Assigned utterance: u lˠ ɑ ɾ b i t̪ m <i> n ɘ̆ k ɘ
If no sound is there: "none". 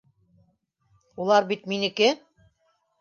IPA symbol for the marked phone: i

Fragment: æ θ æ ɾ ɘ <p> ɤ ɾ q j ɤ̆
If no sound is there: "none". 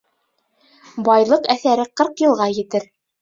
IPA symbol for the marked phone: q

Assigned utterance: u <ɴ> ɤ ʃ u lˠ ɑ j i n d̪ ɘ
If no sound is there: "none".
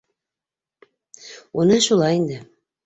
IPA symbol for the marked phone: n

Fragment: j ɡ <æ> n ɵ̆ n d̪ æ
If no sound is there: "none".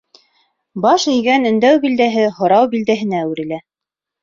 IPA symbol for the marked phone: æ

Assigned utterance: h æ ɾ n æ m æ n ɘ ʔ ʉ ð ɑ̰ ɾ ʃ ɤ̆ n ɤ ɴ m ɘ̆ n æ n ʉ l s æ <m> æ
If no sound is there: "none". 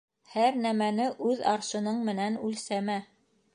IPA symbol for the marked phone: m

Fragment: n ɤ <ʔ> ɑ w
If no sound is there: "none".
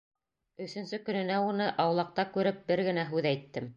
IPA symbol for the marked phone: ʔ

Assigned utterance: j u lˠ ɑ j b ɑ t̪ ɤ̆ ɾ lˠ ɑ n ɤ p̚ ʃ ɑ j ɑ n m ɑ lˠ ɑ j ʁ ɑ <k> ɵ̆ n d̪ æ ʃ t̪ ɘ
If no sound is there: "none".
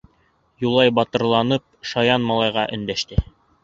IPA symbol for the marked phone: ʔ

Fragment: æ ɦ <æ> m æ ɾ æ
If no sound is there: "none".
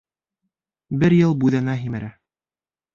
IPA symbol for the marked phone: i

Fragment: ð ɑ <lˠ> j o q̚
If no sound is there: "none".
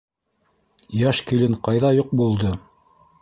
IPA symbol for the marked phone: none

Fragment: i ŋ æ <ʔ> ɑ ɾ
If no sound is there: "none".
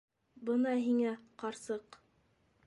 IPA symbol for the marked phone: q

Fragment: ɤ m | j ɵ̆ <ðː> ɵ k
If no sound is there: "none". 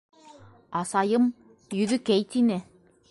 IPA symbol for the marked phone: ð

